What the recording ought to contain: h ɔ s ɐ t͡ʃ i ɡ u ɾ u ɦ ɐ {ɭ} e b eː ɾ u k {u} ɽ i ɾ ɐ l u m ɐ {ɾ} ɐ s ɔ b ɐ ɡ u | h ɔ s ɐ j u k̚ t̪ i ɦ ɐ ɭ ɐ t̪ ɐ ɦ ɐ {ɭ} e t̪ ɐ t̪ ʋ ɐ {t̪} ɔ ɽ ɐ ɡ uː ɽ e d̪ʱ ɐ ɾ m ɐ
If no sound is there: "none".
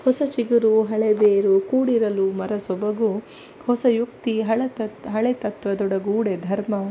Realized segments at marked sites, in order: ɭ, uː, ɾ, ɭ, d̪

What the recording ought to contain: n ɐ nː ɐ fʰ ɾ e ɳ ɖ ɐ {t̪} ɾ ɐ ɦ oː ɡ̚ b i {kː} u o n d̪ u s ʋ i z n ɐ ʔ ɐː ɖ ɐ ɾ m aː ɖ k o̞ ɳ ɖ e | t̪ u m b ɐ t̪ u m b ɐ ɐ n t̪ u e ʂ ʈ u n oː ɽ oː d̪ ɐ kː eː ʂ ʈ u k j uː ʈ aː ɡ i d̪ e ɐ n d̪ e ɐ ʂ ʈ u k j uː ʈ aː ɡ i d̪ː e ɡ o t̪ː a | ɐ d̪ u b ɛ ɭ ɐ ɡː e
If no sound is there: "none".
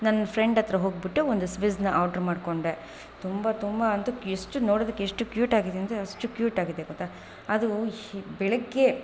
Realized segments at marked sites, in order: t̪, ʈː

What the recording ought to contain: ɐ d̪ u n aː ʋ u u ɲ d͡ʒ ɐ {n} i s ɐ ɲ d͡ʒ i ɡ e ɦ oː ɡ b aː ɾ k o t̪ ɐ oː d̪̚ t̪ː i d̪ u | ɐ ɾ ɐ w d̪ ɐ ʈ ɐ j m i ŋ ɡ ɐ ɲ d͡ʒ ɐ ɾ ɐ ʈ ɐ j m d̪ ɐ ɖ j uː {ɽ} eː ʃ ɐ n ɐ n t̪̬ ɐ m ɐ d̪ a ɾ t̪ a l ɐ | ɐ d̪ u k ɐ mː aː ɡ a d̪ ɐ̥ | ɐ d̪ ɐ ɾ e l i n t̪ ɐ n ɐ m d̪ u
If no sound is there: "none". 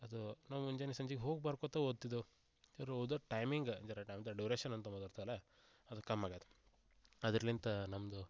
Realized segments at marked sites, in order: n, ɾ

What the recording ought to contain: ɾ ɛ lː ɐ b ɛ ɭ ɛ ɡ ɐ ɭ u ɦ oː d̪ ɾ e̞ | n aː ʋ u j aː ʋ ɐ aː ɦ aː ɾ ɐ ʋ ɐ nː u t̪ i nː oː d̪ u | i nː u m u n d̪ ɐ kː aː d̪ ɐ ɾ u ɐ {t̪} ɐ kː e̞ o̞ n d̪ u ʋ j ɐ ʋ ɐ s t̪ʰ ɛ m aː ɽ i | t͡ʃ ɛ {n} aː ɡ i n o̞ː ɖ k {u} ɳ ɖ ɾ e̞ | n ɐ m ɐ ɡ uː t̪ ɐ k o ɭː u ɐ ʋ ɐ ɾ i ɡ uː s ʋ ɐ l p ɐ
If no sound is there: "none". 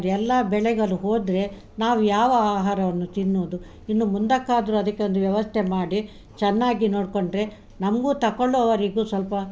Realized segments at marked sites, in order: d̪, nː, o

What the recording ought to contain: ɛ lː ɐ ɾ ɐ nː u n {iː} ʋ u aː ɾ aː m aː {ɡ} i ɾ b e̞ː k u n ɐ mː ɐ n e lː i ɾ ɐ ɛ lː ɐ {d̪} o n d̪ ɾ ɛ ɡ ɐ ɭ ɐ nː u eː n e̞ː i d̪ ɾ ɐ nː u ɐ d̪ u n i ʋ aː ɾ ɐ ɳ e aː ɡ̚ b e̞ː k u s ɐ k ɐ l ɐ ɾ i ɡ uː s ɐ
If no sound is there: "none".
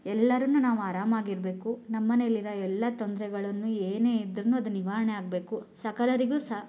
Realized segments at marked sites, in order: aː, ɡ, t̪

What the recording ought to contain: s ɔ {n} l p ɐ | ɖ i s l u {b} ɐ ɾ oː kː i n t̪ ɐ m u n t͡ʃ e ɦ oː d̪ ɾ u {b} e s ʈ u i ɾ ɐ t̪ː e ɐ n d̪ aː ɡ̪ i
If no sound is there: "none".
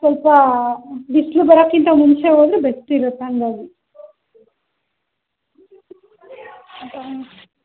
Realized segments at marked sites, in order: none, b, b

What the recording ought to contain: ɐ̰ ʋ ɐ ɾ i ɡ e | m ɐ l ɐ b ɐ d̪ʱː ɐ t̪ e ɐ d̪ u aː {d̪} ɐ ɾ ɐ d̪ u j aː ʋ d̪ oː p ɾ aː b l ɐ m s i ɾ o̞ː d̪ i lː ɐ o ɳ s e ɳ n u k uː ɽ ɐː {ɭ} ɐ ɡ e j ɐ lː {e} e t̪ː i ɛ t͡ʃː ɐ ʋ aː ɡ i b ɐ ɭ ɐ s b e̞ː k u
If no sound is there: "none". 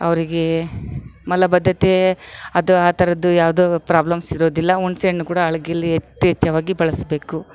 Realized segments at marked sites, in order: t̪, ɭ, i

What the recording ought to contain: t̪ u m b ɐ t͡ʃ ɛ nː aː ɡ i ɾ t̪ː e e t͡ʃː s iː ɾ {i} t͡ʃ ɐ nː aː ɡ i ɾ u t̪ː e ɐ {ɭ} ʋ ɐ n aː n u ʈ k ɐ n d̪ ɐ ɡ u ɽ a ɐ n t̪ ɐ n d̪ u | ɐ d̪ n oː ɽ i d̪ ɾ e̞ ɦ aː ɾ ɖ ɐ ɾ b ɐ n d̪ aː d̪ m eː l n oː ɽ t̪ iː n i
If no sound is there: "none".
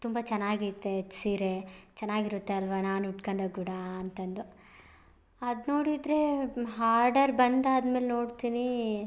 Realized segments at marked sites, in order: e, l

